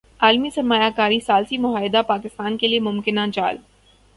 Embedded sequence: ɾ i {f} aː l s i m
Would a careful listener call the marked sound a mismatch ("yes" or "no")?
yes